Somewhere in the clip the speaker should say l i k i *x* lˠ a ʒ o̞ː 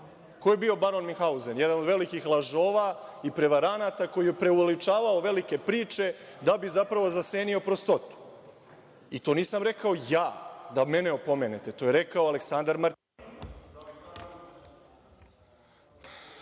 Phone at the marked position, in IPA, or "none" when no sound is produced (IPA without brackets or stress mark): x